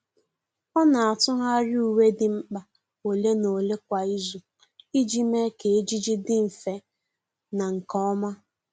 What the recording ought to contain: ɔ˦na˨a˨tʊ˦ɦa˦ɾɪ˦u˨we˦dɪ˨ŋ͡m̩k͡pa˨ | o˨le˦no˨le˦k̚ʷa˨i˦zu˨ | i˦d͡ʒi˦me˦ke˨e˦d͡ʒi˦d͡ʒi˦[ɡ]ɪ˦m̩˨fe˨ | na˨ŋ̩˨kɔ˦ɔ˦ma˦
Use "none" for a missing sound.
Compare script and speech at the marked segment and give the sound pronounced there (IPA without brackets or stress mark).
d